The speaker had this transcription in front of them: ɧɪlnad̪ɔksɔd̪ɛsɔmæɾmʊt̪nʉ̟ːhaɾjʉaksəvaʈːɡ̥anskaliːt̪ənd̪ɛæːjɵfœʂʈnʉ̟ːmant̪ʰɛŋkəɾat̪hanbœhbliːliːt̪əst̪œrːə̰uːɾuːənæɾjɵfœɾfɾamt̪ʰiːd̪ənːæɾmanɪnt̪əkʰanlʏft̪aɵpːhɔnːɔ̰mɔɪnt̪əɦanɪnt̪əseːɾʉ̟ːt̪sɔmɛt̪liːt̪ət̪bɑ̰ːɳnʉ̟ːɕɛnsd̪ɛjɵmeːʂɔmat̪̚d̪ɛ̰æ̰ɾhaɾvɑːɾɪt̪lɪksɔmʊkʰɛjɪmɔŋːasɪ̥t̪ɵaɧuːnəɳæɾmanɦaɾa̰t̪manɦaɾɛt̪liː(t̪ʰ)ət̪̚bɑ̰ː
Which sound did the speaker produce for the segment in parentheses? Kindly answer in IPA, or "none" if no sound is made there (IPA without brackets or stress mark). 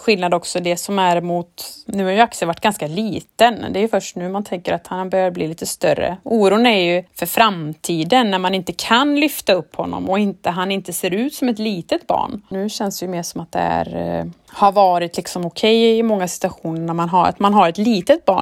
t̪